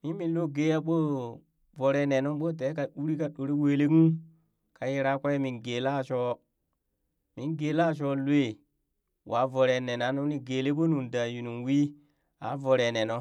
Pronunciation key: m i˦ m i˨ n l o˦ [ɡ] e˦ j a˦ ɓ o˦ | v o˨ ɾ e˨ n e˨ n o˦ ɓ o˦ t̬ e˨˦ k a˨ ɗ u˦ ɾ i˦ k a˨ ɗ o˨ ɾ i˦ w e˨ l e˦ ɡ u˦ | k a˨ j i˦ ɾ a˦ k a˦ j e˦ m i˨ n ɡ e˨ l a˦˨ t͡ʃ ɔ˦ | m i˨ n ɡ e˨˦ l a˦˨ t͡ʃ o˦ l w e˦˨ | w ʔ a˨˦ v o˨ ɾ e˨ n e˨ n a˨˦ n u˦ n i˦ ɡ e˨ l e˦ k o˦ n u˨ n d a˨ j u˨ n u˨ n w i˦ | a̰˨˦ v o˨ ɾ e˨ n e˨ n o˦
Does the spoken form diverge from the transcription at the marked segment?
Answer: no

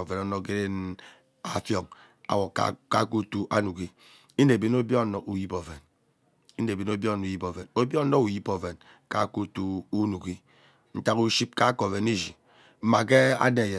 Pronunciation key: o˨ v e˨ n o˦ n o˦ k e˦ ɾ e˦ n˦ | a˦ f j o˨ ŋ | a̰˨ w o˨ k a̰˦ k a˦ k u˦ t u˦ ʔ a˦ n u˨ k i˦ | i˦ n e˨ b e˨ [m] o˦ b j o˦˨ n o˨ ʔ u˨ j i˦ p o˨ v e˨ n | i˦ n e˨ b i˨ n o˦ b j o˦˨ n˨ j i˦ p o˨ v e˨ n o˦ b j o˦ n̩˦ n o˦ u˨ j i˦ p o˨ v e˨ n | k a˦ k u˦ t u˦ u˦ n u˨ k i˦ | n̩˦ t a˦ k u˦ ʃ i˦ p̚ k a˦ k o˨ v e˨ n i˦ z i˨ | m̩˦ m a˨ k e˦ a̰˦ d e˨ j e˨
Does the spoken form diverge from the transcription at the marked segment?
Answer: yes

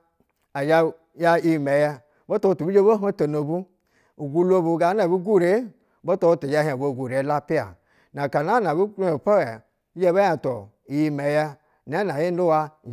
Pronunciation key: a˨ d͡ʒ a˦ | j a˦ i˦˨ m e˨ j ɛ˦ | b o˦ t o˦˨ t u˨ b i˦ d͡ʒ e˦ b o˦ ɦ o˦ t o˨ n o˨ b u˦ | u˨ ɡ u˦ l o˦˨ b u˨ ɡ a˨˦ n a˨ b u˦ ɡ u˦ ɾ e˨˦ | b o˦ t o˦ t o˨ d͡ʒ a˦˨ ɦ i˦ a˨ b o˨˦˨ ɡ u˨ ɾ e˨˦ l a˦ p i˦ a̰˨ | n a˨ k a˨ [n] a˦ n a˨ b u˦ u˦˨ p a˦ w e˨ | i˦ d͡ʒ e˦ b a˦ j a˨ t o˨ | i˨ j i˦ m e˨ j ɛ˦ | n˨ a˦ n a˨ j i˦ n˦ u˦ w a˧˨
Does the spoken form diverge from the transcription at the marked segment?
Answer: no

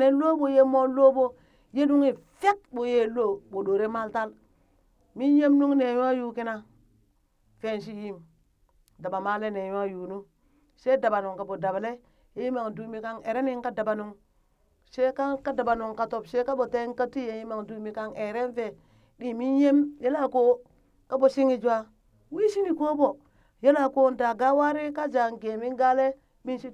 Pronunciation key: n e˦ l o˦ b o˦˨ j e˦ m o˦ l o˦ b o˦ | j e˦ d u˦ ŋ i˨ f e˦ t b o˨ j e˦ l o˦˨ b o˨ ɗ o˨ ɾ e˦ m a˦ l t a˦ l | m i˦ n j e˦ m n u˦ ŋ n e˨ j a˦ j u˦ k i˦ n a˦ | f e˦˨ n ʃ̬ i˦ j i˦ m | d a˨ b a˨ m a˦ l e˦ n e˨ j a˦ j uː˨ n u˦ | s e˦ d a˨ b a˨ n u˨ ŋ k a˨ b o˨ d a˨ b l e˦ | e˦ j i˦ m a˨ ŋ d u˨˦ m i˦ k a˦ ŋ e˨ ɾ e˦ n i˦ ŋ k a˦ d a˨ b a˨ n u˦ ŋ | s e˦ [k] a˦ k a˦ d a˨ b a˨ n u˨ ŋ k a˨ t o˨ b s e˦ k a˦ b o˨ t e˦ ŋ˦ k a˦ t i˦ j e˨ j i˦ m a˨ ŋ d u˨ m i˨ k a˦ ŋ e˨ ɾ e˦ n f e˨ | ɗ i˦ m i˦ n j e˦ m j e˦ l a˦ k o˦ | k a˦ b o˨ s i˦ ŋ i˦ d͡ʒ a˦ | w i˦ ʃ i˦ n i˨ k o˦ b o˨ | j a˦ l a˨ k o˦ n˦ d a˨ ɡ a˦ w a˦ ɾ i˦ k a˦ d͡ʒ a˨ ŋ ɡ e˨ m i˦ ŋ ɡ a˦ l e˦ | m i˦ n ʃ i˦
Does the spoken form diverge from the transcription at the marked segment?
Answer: no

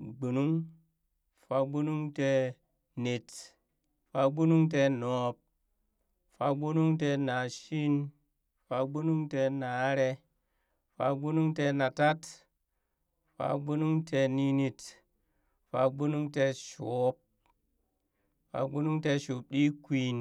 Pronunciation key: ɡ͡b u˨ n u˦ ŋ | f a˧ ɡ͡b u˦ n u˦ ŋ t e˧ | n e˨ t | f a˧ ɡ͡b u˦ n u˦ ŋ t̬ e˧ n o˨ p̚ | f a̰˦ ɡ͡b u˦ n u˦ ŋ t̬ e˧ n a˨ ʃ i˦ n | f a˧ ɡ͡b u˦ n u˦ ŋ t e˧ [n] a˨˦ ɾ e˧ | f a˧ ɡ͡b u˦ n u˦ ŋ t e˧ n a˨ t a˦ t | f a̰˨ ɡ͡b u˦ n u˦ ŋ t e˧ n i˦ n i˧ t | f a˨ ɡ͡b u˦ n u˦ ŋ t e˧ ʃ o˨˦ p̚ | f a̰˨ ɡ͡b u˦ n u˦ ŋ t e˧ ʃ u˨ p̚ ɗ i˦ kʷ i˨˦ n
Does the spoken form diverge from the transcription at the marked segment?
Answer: no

